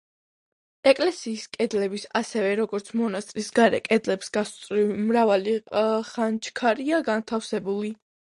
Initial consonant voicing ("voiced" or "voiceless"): voiceless